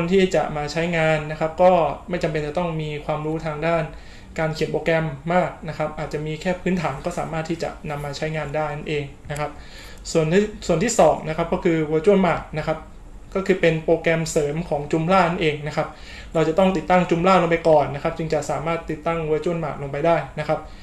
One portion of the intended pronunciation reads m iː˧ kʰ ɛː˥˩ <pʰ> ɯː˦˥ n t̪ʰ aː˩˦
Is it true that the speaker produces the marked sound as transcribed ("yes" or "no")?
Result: yes